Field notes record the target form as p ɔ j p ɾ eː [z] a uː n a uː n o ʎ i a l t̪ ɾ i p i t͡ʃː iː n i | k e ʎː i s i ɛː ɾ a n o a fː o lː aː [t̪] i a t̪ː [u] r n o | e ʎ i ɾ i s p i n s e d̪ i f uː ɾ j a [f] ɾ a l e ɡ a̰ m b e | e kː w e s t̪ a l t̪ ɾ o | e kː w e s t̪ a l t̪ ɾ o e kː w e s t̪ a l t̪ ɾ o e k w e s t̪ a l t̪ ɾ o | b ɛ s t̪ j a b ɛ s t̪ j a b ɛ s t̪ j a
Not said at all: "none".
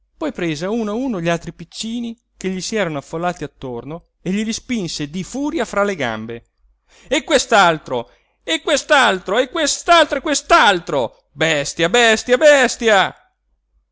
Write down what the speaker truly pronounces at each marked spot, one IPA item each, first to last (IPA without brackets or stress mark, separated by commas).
z, t̪, o, f